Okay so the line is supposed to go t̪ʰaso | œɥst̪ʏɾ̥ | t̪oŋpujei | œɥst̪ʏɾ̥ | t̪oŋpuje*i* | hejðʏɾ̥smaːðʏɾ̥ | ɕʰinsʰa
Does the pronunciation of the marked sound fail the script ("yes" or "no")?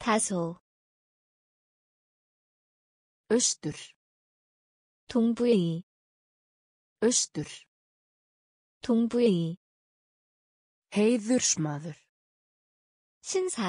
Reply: no